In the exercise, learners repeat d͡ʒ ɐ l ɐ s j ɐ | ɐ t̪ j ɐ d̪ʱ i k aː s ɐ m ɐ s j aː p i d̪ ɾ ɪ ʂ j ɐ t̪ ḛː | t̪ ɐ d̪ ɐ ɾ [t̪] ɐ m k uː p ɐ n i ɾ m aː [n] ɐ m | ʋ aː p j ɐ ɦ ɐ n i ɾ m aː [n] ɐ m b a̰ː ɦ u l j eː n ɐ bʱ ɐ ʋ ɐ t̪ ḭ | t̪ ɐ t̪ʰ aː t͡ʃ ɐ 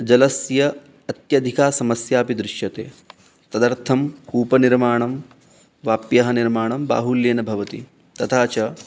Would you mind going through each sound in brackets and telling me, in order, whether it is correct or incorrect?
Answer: incorrect, incorrect, incorrect

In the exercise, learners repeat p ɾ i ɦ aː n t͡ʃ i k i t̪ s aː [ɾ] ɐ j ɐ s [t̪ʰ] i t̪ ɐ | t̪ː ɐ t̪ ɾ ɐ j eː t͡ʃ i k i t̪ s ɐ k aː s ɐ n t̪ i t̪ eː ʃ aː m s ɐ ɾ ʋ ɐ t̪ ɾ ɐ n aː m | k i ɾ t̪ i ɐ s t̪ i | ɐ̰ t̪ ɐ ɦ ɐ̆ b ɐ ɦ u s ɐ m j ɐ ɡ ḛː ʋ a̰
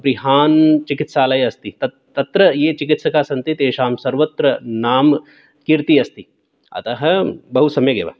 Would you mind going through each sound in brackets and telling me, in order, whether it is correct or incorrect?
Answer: incorrect, incorrect

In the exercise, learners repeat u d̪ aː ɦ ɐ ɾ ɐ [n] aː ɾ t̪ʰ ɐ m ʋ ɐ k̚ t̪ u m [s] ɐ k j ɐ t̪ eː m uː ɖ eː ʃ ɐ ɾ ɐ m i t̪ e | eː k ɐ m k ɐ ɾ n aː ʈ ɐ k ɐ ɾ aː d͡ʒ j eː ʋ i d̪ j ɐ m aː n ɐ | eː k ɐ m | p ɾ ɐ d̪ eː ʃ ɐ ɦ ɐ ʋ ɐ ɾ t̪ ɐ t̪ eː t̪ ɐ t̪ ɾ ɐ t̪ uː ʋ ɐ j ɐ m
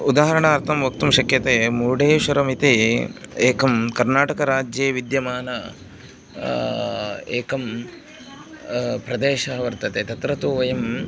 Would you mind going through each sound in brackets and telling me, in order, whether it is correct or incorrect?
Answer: incorrect, incorrect

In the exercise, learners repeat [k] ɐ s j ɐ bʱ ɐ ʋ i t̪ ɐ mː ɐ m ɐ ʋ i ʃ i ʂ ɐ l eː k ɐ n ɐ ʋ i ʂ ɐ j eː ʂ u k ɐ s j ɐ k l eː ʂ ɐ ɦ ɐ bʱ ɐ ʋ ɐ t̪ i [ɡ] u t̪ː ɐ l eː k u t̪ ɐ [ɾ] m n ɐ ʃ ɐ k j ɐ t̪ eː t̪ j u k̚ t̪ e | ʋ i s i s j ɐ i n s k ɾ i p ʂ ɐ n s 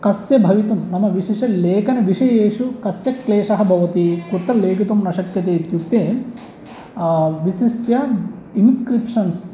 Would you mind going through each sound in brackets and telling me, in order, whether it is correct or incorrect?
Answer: correct, incorrect, incorrect

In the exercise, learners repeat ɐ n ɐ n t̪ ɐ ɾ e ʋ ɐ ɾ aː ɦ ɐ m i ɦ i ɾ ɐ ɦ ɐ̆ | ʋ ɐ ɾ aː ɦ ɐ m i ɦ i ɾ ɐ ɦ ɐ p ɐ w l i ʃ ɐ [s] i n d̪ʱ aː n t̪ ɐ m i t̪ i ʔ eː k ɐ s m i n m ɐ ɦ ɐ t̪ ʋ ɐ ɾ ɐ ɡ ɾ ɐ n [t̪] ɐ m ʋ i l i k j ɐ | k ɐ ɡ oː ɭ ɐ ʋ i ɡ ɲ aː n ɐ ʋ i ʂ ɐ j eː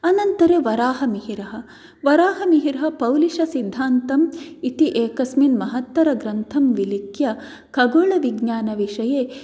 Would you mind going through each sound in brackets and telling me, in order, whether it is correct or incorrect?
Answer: correct, incorrect

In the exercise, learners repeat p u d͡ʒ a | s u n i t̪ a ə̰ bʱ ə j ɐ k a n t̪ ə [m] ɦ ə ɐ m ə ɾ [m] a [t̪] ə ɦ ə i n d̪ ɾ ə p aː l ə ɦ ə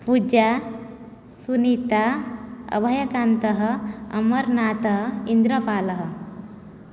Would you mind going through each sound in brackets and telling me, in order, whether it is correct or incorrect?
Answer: incorrect, incorrect, correct

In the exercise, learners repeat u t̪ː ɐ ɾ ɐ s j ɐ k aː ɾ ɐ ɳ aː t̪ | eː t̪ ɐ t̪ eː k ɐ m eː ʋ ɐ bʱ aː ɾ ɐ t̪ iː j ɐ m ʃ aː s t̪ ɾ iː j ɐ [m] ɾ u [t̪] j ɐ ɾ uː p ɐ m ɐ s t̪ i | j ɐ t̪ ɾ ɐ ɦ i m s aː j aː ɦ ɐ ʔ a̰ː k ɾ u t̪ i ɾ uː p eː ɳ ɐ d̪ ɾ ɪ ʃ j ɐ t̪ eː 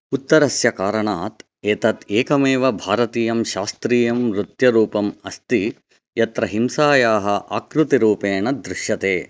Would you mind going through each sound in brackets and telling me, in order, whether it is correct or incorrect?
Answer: correct, correct

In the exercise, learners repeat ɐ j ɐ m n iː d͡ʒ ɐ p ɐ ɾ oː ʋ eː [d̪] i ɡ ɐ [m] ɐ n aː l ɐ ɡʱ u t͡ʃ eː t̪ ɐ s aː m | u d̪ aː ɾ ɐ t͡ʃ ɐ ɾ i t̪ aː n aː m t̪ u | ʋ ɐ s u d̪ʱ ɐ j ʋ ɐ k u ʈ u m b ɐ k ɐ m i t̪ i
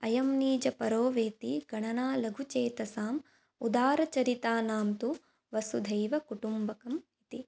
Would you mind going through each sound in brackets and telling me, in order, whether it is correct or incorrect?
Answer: incorrect, incorrect

